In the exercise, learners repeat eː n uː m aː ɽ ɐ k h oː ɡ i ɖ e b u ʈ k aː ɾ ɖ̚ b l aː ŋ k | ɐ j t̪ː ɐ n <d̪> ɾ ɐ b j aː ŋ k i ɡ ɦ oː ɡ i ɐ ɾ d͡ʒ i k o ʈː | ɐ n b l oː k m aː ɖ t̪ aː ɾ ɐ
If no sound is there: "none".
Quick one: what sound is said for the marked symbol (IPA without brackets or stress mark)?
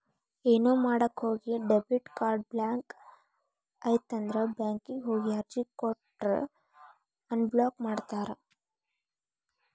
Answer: d̪